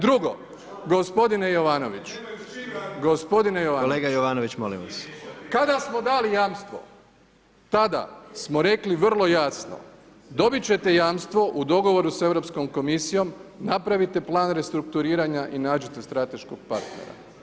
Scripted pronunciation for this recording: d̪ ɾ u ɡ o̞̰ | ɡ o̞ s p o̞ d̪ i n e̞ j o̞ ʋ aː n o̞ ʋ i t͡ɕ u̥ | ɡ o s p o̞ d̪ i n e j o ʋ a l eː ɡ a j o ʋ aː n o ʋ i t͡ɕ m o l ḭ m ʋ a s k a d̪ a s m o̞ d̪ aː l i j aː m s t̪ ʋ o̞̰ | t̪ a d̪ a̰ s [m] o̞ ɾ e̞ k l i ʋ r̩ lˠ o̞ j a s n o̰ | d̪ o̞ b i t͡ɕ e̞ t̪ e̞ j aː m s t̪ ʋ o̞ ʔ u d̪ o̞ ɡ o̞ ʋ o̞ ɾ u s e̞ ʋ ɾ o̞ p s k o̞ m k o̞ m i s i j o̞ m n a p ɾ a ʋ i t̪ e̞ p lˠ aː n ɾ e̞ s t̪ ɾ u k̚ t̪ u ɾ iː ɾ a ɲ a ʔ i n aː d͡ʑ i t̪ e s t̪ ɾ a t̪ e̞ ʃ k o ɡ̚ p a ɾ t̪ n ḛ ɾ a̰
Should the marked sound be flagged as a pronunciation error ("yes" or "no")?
no